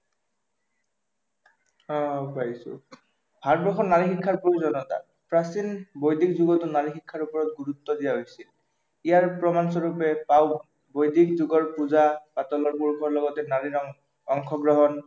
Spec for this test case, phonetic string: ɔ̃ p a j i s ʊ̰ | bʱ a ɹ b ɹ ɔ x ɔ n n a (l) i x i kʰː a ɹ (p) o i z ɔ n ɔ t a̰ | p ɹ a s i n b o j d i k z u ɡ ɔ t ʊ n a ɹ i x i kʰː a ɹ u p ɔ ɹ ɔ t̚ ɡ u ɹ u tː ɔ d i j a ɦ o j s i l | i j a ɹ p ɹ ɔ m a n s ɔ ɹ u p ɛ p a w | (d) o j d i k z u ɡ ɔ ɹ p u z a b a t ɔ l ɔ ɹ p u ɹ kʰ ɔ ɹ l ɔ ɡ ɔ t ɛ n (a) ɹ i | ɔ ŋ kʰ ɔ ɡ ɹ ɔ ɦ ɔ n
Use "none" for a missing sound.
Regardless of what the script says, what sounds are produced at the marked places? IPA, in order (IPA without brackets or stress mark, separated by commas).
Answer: ɹ, p, b, a